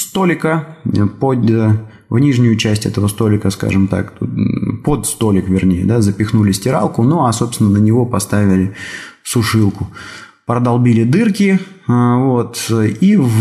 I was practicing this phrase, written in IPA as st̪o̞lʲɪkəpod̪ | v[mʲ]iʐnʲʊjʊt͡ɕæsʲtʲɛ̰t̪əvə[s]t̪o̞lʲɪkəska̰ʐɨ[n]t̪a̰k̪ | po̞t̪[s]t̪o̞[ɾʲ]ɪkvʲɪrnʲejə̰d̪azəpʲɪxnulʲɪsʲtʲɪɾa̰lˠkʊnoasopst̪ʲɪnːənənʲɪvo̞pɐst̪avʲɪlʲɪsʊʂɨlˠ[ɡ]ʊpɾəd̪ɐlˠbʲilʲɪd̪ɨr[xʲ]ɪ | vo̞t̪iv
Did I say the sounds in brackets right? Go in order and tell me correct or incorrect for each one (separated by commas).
incorrect, correct, incorrect, correct, incorrect, incorrect, incorrect